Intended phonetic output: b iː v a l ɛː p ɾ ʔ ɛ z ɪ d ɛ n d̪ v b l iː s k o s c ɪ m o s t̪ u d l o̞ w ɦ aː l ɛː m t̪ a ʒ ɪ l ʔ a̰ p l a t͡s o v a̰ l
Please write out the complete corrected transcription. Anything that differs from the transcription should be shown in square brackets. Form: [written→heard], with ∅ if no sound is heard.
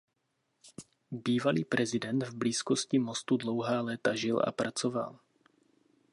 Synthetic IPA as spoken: b iː v a l [ɛː→iː] p ɾ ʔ ɛ z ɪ d ɛ n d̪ v b l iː s k o s c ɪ m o s t̪ u d l o̞ w ɦ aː l ɛː [m→∅] t̪ a ʒ ɪ l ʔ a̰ p [l→ɾ] a t͡s o v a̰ l